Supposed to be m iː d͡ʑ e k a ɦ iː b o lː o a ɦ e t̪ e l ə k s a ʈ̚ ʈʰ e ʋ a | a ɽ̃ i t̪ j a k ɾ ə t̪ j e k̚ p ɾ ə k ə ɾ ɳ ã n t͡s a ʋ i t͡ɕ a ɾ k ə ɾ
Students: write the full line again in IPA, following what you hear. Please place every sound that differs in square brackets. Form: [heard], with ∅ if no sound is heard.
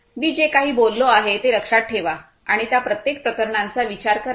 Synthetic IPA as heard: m iː d͡ʑ e k a ɦ iː b o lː o a ɦ e t̪ e l ə k [ʂ] a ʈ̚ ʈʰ e ʋ a | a ɽ̃ i t̪ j a [p] ɾ ə t̪ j e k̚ p ɾ ə k ə ɾ ɳ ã n t͡s a ʋ i t͡ɕ a ɾ k ə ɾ